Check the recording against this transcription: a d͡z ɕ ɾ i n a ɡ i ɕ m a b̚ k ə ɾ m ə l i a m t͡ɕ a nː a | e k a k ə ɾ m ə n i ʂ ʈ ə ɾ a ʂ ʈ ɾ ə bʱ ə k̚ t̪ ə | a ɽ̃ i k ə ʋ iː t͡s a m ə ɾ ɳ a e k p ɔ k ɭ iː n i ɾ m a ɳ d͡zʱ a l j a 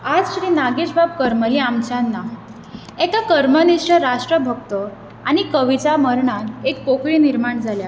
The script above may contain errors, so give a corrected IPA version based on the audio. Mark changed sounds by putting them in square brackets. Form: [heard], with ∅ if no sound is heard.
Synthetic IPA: a d͡z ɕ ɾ i n a ɡ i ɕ [b] a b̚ k ə ɾ m ə l i a m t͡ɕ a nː a | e k a k ə ɾ m ə n i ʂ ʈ ə ɾ a ʂ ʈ ɾ ə bʱ ə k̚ t̪ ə | a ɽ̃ i k ə ʋ [i] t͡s a m ə ɾ ɳ a e k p [o] k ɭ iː n i ɾ m a ɳ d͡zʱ a l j a